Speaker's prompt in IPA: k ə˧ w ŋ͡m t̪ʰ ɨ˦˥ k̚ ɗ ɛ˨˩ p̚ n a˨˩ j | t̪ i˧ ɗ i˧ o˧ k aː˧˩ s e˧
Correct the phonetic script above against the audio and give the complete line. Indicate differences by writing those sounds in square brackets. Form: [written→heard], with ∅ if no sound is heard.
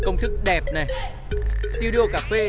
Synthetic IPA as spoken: k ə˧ w ŋ͡m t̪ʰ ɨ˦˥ k̚ ɗ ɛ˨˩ p̚ n a˨˩ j | t̪ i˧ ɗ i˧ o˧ k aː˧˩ [s→f] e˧